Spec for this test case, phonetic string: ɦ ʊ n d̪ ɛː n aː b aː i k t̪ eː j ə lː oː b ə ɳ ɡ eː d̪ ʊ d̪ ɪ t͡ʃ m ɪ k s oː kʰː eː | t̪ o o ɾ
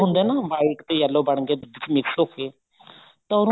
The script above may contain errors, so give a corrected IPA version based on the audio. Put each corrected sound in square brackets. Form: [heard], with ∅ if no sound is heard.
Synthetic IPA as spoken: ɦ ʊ n d̪ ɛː n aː b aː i k t̪ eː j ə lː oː b ə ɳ ɡ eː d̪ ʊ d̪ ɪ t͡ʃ m ɪ k s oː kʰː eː | t̪ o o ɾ